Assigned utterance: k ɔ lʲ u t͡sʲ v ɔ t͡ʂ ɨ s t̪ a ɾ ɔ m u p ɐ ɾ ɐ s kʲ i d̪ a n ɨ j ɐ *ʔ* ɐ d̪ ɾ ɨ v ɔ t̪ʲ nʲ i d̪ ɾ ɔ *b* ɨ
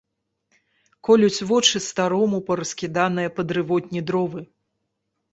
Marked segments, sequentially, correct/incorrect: incorrect, incorrect

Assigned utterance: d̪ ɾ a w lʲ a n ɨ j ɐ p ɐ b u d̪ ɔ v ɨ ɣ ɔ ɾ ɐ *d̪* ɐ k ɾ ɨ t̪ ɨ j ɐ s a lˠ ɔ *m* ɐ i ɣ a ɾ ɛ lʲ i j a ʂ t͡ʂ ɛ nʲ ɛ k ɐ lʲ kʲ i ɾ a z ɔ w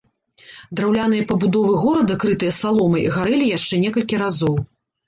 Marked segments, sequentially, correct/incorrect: correct, correct

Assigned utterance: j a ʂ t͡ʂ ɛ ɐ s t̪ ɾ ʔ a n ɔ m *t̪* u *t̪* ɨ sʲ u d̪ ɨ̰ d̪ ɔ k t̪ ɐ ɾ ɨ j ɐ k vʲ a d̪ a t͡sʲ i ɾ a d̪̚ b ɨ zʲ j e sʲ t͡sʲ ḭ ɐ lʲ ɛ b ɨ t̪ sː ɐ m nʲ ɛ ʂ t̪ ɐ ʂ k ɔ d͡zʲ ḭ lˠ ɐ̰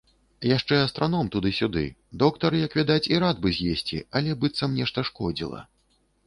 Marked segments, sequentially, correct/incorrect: correct, incorrect

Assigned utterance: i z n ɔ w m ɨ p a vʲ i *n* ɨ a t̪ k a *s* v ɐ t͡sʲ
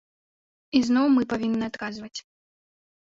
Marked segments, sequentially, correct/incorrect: incorrect, incorrect

